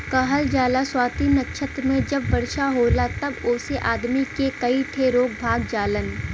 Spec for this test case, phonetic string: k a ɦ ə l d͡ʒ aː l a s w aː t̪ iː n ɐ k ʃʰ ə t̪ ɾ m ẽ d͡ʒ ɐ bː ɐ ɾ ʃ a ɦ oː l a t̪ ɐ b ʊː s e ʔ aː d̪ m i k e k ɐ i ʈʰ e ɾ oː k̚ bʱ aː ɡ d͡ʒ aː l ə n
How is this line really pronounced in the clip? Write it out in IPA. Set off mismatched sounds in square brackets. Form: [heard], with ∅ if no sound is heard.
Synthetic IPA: k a ɦ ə l d͡ʒ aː l a s w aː t̪ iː n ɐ k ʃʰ ə t̪ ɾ m ẽ d͡ʒ ɐ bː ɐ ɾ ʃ a ɦ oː l a t̪ ɐ b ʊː s e ʔ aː d̪ m i k e k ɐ i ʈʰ e ɾ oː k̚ bʱ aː ɡ d͡ʒ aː l ə n